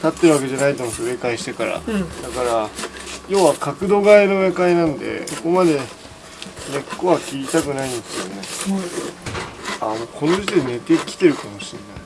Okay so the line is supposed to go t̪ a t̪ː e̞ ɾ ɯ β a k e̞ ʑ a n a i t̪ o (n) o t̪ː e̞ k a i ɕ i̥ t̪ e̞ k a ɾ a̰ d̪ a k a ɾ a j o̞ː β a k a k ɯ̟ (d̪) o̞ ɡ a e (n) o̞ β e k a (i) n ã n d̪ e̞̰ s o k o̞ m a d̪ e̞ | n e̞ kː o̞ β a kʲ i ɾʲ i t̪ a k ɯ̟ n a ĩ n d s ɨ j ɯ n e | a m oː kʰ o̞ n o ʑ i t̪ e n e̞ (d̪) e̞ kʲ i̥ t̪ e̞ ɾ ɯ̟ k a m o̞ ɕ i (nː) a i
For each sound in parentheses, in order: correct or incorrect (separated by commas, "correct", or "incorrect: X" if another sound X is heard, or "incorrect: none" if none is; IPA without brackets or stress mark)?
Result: incorrect: m, correct, correct, correct, incorrect: t̪, correct